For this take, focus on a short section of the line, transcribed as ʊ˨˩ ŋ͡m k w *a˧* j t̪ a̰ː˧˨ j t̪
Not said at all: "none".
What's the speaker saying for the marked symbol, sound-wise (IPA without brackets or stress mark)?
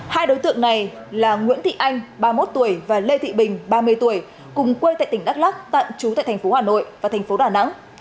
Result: e˧